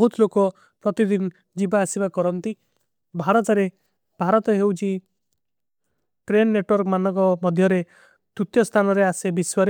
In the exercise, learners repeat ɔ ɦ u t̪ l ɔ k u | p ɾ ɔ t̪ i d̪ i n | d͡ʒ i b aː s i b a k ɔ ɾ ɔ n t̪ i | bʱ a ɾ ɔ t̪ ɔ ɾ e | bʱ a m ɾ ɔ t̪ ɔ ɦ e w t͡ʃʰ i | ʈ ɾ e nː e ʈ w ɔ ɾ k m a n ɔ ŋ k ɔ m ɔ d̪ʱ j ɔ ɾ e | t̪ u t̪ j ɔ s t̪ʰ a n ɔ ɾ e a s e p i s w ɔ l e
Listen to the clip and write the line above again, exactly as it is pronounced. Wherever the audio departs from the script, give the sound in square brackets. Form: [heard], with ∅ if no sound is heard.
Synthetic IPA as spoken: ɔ ɦ u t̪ l [o] k [ɔ] | p ɾ ɔ t̪ i d̪ i n | d͡ʒ i b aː s i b a k ɔ ɾ ɔ n t̪ i | bʱ a ɾ ɔ t̪ ɔ ɾ e | bʱ a [∅] ɾ ɔ t̪ ɔ ɦ e w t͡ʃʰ i | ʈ ɾ e nː e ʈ w ɔ ɾ k m a n ɔ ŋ k ɔ m ɔ d̪ʱ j ɔ ɾ e | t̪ u t̪ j ɔ s t̪ʰ a n ɔ ɾ e a s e [b] i s w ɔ [ɾ] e